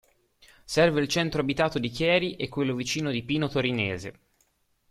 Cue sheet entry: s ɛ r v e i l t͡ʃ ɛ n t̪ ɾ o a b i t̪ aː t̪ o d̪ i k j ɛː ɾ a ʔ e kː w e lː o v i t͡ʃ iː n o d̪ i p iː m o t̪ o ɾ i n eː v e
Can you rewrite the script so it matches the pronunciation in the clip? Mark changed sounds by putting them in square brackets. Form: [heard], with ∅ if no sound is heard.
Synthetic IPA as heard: s ɛ r v e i l t͡ʃ ɛ n t̪ ɾ o a b i t̪ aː t̪ o d̪ i k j ɛː ɾ [i] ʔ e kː w e lː o v i t͡ʃ iː n o d̪ i p iː [n] o t̪ o ɾ i n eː [z] e